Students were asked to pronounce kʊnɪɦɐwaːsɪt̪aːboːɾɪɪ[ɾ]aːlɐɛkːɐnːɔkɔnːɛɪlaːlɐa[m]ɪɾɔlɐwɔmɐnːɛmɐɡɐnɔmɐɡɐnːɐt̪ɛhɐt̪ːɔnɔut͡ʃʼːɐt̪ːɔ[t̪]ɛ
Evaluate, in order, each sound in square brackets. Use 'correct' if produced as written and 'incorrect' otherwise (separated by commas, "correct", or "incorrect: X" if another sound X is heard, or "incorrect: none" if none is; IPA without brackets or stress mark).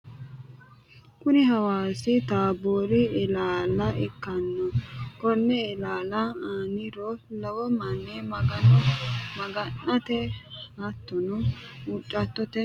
incorrect: l, incorrect: n, correct